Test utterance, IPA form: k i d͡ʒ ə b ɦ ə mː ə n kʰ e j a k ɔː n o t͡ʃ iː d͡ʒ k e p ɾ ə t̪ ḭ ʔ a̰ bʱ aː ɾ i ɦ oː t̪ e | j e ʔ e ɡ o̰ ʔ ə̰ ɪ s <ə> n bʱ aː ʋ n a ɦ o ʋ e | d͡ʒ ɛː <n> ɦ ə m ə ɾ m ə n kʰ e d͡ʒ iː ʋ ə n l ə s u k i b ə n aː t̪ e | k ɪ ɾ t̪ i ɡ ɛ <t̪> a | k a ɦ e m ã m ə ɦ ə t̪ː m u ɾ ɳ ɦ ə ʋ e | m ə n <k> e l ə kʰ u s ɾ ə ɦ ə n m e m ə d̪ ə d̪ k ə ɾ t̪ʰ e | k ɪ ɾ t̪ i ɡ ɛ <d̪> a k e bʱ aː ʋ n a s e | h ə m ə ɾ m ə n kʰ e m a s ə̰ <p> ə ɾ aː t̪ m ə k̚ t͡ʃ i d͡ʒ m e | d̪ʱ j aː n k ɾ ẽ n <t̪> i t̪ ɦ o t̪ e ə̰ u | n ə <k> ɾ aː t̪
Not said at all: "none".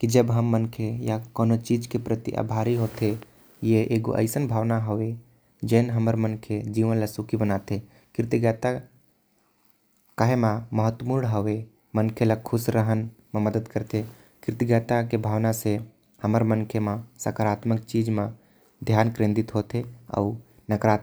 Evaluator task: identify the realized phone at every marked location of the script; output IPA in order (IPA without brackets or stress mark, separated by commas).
ə, n, t̪, kʰ, t̪, k, d̪, k